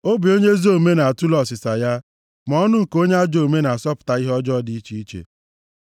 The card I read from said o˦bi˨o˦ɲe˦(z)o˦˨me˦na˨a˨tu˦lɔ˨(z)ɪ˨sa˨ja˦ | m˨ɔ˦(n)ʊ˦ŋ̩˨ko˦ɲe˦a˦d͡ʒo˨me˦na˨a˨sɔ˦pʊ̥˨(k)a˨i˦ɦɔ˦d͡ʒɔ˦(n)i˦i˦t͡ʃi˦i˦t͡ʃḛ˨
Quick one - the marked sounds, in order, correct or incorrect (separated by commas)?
correct, incorrect, correct, incorrect, incorrect